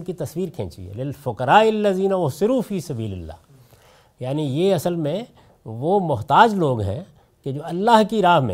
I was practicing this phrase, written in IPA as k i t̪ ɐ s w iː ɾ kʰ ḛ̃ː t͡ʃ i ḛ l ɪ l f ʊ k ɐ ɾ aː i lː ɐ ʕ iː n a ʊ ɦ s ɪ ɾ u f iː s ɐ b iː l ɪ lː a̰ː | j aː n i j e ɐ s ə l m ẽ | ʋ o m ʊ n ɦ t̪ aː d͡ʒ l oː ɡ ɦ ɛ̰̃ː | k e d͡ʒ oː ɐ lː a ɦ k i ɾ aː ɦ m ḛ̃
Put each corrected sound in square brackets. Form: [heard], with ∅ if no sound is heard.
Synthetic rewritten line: k i t̪ ɐ s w iː ɾ kʰ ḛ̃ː t͡ʃ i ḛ l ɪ l f ʊ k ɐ ɾ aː [ɪ] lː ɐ [z] iː n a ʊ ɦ s ɪ ɾ u f iː s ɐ b iː l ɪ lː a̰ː | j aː n i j e ɐ s ə l m ẽ | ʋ o m ʊ [∅] ɦ t̪ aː d͡ʒ l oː ɡ ɦ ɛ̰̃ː | k e d͡ʒ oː ɐ lː a ɦ k i ɾ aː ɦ m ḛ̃